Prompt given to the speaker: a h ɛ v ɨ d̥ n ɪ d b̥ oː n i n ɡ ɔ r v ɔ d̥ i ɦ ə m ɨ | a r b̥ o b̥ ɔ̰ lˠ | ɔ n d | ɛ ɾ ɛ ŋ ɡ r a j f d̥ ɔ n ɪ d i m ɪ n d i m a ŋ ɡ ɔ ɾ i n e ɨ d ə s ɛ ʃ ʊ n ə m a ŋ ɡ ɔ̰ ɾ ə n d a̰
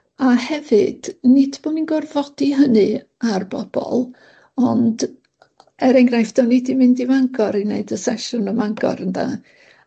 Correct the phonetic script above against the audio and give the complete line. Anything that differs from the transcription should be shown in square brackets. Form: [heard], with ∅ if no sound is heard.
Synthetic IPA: a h ɛ v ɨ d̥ n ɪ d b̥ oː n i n ɡ ɔ r v ɔ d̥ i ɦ ə [n] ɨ | a r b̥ [ɔ] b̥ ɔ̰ lˠ | ɔ n d | ɛ ɾ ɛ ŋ ɡ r a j f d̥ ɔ n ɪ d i m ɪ n d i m a ŋ ɡ ɔ ɾ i n e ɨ d ə s ɛ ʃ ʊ n ə m a ŋ ɡ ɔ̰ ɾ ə n d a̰